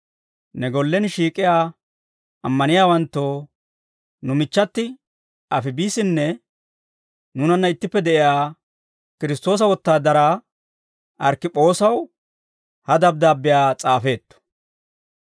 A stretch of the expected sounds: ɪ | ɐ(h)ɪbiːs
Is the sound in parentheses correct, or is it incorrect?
incorrect